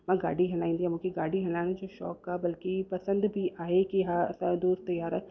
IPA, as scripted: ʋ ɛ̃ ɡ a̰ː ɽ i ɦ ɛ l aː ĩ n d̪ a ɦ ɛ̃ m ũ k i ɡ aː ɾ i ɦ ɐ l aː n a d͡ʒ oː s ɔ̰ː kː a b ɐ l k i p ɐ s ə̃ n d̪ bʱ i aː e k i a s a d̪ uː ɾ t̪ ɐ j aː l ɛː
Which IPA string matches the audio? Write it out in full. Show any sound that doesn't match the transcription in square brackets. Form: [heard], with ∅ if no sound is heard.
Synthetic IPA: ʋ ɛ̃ ɡ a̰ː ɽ i ɦ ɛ l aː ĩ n d̪ [i] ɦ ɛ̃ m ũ k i ɡ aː [ɽ] i ɦ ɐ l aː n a d͡ʒ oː [ʃ] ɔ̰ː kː a b ɐ l k i p ɐ s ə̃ n d̪ bʱ i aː e k i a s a d̪ uː ɾ t̪ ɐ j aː [ɾ] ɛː